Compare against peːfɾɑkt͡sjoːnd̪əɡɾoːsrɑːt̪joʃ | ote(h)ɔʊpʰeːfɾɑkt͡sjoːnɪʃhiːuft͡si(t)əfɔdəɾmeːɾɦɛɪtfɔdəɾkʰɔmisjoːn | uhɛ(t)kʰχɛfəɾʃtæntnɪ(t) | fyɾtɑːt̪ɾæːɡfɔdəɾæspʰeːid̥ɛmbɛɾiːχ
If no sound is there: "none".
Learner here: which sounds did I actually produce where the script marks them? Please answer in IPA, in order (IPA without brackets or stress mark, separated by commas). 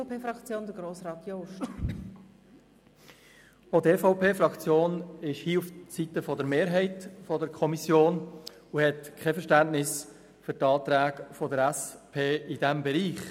f, t, t, s